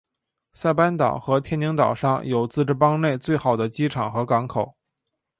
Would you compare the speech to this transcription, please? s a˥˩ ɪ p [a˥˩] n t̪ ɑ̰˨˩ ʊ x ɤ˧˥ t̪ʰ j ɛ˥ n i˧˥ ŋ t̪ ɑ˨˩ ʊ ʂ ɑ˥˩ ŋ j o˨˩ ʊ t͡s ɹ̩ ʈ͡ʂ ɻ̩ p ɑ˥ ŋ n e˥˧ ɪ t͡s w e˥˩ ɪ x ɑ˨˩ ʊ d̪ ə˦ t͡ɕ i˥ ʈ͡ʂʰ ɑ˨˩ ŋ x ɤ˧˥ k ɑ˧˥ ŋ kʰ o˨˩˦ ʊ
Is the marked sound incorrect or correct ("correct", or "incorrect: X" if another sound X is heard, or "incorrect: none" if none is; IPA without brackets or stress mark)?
incorrect: a˥